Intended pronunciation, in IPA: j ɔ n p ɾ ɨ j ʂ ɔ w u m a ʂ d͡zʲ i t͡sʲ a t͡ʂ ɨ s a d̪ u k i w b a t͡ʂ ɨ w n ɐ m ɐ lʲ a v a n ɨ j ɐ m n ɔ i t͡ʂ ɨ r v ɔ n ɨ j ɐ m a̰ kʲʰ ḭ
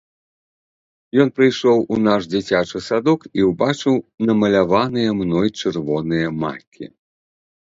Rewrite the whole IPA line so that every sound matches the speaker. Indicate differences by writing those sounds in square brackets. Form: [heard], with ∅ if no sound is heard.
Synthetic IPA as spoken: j ɔ n p ɾ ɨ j ʂ ɔ w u [n] a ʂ d͡zʲ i t͡sʲ a t͡ʂ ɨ s a d̪ [ɔ] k i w b a t͡ʂ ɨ w n ɐ m ɐ lʲ a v a n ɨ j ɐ m n ɔ [j] t͡ʂ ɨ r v ɔ n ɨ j ɐ m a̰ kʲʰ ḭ